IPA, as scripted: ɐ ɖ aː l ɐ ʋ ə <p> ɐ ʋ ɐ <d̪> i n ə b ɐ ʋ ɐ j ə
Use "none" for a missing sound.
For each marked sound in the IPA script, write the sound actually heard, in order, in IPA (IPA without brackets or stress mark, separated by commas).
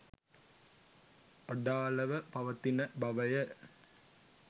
p, t̪